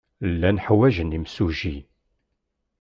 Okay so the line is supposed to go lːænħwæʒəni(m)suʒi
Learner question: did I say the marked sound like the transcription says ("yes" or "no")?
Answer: yes